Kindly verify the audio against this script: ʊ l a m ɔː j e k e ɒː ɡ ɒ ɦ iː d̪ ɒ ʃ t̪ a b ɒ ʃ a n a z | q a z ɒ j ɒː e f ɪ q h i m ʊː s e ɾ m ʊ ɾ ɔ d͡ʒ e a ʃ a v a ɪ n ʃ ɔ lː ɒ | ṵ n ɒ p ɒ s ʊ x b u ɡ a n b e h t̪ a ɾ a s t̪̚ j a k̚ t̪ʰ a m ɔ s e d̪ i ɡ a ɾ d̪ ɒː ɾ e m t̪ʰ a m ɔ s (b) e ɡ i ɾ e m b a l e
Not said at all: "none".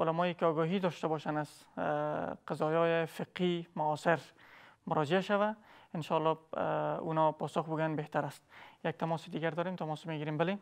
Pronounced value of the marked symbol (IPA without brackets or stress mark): m